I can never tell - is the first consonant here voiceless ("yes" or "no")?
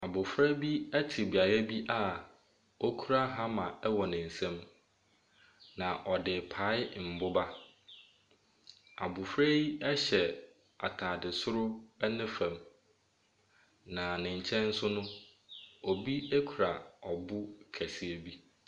no